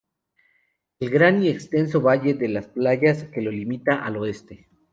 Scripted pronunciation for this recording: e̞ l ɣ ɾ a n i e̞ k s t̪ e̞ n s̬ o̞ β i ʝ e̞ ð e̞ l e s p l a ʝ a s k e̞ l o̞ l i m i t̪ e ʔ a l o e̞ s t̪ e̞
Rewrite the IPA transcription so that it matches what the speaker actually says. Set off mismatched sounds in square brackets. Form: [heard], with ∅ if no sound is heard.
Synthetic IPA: e̞ l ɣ ɾ a n i e̞ k s t̪ e̞ n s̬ o̞ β [a] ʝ e̞ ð e̞ l [a] s p l a ʝ a s k e̞ l o̞ l i m i t̪ [a] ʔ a l o e̞ s t̪ e̞